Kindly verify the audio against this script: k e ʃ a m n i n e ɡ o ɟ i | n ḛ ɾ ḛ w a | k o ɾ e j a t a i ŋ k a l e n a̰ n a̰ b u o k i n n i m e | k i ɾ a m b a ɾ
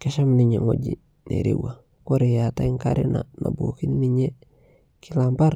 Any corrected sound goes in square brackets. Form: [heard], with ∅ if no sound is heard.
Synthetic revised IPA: k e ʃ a m n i [ɲ] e [ŋ] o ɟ i | n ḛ ɾ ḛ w a | k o ɾ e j a t a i ŋ k a [ɾ] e n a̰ n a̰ b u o k i n n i [ɲ] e | k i [l] a m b a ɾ